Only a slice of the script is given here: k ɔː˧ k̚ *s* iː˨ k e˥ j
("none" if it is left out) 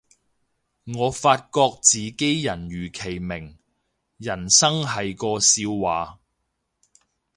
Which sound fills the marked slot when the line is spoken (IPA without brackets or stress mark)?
t͡s